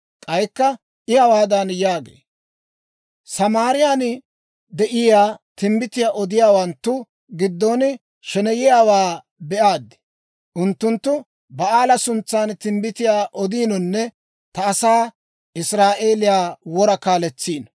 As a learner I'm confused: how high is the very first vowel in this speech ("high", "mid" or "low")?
low